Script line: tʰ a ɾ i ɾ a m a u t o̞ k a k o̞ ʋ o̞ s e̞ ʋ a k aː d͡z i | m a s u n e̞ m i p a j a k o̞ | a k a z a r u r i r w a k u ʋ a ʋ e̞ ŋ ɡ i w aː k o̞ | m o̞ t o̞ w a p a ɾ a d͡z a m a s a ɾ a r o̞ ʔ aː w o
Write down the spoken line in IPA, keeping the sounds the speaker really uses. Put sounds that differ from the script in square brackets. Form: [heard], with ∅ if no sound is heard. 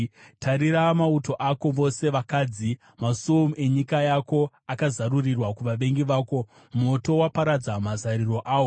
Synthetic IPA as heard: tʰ a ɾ i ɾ a m a u t o̞ [ʔ] a k o̞ ʋ o̞ s e̞ ʋ a k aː d͡z i | m a s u [m] e̞ [ɲ] i [k] a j a k o̞ | a k a z a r u r i r w a k u ʋ a ʋ e̞ ŋ ɡ i [ʋ] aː k o̞ | m o̞ t o̞ w a p a ɾ a d͡z a m a [z] a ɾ [i] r o̞ ʔ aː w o

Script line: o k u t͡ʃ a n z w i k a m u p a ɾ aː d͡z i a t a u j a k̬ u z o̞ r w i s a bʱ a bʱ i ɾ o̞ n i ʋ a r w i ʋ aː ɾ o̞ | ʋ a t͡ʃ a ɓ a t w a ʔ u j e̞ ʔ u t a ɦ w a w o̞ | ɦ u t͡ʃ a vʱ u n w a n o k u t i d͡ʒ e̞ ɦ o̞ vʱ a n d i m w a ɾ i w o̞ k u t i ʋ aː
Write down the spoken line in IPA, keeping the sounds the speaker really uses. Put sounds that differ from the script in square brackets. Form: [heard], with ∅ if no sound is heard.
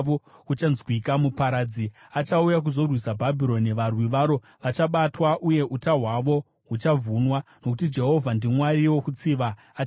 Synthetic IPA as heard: o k u t͡ʃ a n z w i k a m u p a ɾ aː d͡z i a [t͡ʃ] a u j a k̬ u z o̞ r w i s a bʱ a bʱ i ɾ o̞ n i ʋ a r w i ʋ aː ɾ o̞ | ʋ a t͡ʃ a ɓ a t w a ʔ u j e̞ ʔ u t a ɦ w a [ʋ] o̞ | ɦ u t͡ʃ a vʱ u n w a n o k u t i d͡ʒ e̞ ɦ o̞ vʱ a n d i m w a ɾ i w o̞ k u [t͡s] i ʋ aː

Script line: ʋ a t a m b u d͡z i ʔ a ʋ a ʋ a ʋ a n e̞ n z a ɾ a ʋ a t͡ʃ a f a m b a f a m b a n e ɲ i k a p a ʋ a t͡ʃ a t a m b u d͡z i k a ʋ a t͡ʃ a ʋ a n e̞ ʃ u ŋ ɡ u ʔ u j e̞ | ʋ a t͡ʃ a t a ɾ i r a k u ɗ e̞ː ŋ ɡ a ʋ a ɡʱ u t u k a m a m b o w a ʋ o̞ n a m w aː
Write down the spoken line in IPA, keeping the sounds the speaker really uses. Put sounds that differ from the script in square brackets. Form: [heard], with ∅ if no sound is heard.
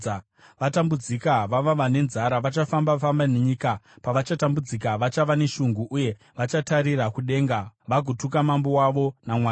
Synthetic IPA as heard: ʋ a t a m b u d͡z i [k] a ʋ a ʋ a ʋ a n e̞ n z a ɾ a ʋ a t͡ʃ a f a m b a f a m b a n e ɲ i k a p a ʋ a t͡ʃ a t a m b u d͡z i k a ʋ a t͡ʃ a ʋ a n e̞ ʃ u ŋ ɡ u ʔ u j e̞ | ʋ a t͡ʃ a t a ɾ i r a k u ɗ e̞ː ŋ ɡ a ʋ a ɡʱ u t u k a m a m b o w a ʋ o̞ n a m w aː

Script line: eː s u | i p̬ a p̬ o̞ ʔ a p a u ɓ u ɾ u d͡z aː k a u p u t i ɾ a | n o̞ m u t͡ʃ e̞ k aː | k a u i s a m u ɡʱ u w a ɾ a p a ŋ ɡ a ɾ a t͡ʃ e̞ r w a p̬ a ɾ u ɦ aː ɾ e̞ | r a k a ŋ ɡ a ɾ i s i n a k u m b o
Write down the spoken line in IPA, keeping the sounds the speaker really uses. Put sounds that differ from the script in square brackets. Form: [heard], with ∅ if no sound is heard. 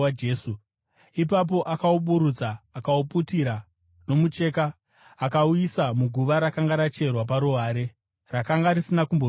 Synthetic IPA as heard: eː s u | i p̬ a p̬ o̞ ʔ a [k] a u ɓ u ɾ u d͡z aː k a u p u t i ɾ a | n o̞ m u t͡ʃ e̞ k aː | k a u i s a m u ɡʱ u [ʋ] a ɾ a [k] a ŋ ɡ a ɾ a t͡ʃ e̞ r w a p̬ a ɾ u ɦ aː ɾ e̞ | r a k a ŋ ɡ a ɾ i s i n a k u m b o

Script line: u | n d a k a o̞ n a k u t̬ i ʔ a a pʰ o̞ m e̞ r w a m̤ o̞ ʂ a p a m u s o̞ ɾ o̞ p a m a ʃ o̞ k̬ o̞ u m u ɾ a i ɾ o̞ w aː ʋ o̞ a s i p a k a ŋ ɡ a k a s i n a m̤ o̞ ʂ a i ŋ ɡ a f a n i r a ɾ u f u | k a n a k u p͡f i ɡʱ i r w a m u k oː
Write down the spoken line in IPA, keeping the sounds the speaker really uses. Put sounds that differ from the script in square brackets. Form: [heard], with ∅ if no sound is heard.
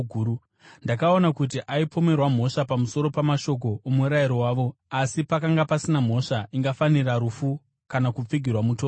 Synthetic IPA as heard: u | n d a k a o̞ n a k u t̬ i ʔ a [i] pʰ o̞ m e̞ r w a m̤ o̞ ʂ a p a m u s o̞ ɾ o̞ p a m a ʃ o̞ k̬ o̞ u m u ɾ a i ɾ o̞ w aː ʋ o̞ a s i p a k a ŋ ɡ a [p] a s i n a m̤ o̞ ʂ a i ŋ ɡ a f a n i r a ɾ u f u | k a n a k u p͡f i ɡʱ i r w a m u [t] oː

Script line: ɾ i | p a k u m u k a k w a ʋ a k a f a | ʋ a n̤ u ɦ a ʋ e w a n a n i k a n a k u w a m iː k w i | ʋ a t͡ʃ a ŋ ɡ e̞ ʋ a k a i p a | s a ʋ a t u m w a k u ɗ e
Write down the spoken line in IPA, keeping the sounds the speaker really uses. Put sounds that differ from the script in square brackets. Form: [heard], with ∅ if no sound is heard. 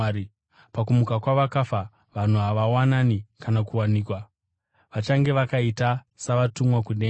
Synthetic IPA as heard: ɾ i | p a k u m u k a k w a ʋ a k a f a | ʋ a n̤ u ɦ a ʋ [a] w a n a n i k a n a k u w a [n] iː k w [a] | ʋ a t͡ʃ a ŋ ɡ e̞ ʋ a k a i [t] a | s a ʋ a t u m w a k u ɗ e

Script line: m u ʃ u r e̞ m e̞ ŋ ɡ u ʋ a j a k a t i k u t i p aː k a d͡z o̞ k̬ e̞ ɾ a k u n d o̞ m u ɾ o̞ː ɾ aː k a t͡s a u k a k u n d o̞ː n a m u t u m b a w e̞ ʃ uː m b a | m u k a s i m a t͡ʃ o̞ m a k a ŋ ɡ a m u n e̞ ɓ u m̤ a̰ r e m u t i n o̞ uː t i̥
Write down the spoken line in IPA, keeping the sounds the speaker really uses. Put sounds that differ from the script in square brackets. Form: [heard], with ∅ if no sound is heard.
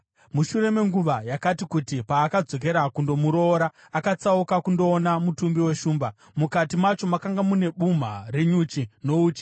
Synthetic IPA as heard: m u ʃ u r e̞ m e̞ ŋ ɡ u ʋ a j a k a t i k u t i p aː k a d͡z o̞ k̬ e̞ ɾ a k u n d o̞ m u ɾ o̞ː ɾ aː k a t͡s a u k a k u n d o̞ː n a m u t u m b [i] w e̞ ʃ uː m b a | m u k a [t] i m a t͡ʃ o̞ m a k a ŋ ɡ a m u n e̞ ɓ u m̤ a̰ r e [ɲ] u [t͡ʃ] i n o̞ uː [t͡ʃ] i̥

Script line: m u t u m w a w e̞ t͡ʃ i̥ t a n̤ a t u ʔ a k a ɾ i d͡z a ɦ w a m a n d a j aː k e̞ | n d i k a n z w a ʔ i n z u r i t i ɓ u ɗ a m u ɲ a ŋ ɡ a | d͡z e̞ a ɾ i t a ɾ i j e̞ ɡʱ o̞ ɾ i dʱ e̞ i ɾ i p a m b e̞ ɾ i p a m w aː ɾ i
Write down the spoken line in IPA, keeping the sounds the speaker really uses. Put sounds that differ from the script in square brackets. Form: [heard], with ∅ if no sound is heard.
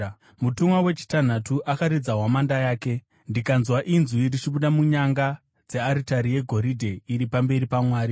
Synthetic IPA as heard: m u t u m w a w e̞ t͡ʃ i̥ t a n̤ a t u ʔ a k a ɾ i d͡z a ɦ w a m a n d a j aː k e̞ | n d i k a n z w a ʔ i n z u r i [t͡ʃ] i ɓ u ɗ a m u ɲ a ŋ ɡ a | d͡z e̞ a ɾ i t a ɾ i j e̞ ɡʱ o̞ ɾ i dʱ e̞ i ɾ i p a m b e̞ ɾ i p a m w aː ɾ i

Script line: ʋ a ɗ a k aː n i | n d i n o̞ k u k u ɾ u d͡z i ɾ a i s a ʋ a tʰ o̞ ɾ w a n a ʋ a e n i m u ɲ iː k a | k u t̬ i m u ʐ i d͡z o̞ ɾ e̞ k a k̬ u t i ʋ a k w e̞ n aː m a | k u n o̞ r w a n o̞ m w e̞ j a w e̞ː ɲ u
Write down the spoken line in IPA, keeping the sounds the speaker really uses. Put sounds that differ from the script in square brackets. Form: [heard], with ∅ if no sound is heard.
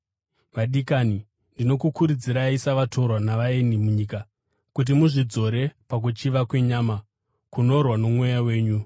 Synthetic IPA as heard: ʋ a ɗ [i] k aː n i | n d i n o̞ k u k u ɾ u d͡z i ɾ a i s a ʋ a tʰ o̞ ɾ w a n a ʋ a e n i m u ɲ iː k a | k u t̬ i m u ʐ i d͡z o̞ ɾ e̞ [p] a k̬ u [t͡ʃ] i ʋ a k w e̞ [ɲ] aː m a | k u n o̞ r w a n o̞ m w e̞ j a w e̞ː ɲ u

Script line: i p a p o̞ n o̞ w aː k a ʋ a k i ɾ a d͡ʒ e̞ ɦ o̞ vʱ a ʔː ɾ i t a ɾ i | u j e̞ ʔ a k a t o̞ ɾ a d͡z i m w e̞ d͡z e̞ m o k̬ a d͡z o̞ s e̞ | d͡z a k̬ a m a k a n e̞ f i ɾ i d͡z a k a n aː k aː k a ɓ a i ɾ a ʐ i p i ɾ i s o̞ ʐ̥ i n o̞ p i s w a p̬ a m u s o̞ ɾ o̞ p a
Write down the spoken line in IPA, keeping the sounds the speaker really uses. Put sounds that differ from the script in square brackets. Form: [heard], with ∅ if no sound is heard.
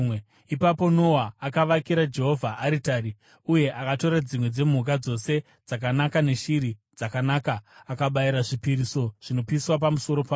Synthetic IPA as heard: i p a p o̞ n o̞ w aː k a ʋ a k i ɾ a d͡ʒ e̞ ɦ o̞ vʱ a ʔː ɾ i t a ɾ i | u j e̞ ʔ a k a t o̞ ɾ a d͡z i m w e̞ d͡z e̞ m [u] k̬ a d͡z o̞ s e̞ | d͡z a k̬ a [n] a k a n e̞ [ʃ] i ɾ i d͡z a k a n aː k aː k a ɓ a i ɾ a ʐ i p i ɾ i s o̞ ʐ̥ i n o̞ p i s w a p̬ a m u s o̞ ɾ o̞ p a

